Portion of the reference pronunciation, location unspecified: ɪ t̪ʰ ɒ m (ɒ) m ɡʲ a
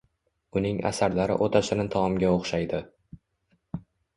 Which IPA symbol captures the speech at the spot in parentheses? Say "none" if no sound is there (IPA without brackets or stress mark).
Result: ɒ